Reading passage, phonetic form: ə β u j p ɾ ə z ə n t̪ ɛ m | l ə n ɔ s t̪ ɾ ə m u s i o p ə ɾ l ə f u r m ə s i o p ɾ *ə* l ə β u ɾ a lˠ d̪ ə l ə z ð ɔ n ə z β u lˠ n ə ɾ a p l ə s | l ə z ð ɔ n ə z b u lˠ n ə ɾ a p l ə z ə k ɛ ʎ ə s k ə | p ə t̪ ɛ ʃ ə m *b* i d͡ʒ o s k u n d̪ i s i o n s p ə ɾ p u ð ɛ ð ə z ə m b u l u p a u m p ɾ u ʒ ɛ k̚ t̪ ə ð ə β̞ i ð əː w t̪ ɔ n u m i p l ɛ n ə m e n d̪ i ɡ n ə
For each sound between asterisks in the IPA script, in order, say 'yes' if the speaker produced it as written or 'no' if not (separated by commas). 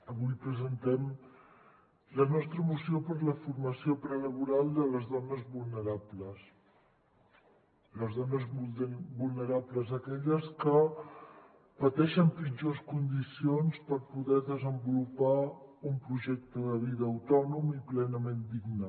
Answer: yes, no